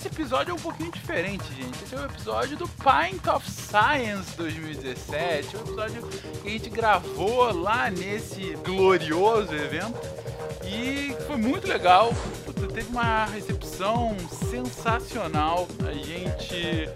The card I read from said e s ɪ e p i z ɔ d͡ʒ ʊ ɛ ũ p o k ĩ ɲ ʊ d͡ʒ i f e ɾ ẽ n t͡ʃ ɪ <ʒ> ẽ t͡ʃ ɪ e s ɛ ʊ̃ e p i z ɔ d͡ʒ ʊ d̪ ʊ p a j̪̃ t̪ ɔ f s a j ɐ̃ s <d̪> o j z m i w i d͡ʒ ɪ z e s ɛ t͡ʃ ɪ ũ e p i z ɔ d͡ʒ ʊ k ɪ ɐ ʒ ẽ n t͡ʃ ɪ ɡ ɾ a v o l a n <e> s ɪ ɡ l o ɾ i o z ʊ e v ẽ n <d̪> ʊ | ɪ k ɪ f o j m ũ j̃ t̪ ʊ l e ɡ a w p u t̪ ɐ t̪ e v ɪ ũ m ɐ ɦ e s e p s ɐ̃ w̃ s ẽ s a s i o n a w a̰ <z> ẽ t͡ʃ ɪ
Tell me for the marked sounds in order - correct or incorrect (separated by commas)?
correct, correct, correct, incorrect, incorrect